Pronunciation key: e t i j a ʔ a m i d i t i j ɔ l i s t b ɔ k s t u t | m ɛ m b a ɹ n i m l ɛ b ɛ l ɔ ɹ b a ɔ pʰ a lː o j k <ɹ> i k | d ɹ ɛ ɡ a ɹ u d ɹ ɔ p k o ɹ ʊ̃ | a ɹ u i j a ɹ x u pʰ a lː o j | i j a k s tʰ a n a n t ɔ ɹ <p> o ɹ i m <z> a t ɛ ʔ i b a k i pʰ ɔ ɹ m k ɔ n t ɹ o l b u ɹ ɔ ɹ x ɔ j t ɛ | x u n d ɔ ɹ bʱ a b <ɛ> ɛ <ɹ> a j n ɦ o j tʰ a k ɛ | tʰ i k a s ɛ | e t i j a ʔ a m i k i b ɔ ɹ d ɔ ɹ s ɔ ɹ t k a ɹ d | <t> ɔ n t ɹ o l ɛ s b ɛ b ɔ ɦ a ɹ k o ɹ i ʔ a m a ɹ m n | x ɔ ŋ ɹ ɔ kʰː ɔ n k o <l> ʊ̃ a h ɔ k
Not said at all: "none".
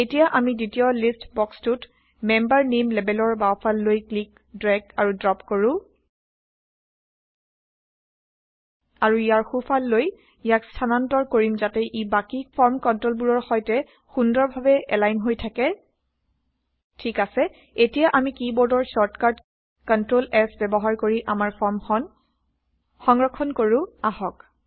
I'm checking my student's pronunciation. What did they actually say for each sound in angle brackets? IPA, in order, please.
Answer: l, k, z, ɛ, l, k, ɹ

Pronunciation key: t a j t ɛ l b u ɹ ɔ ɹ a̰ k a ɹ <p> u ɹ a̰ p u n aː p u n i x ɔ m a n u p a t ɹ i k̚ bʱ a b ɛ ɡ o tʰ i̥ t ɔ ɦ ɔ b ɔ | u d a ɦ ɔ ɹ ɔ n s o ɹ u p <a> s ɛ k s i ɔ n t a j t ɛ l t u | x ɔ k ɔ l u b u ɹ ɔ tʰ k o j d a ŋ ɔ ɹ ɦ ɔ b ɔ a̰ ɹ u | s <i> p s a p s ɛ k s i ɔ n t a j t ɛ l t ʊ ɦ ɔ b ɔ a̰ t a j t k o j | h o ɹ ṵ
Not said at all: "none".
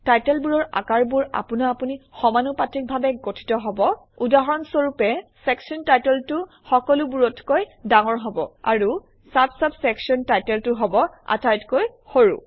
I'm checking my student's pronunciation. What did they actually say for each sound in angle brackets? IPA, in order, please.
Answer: b, ɛ, a

